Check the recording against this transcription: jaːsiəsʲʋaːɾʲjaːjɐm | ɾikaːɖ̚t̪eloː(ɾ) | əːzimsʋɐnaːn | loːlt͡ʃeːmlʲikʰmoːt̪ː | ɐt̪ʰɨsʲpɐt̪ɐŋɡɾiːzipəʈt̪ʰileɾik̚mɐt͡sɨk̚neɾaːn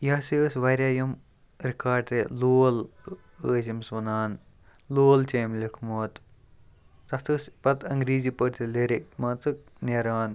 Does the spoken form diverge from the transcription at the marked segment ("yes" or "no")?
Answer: yes